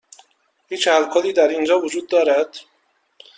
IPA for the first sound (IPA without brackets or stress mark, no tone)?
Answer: h